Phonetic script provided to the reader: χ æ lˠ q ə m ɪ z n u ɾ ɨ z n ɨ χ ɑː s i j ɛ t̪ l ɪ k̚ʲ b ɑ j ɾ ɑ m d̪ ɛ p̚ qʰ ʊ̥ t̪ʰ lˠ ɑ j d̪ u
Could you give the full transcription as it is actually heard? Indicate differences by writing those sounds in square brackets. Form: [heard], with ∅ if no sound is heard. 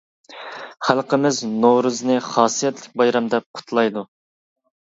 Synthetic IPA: χ æ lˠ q ə m ɪ z n [o] ɾ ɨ z n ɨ χ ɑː s i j ɛ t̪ l ɪ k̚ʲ b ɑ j ɾ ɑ m d̪ ɛ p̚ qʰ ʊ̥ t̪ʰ lˠ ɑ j d̪ u